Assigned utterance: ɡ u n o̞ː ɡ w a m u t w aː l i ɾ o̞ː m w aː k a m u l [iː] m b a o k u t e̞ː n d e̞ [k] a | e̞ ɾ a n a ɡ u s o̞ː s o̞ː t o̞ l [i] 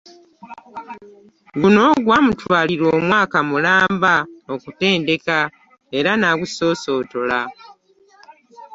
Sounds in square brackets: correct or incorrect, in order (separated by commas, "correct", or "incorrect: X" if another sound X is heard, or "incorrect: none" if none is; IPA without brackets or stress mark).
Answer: incorrect: aː, correct, incorrect: a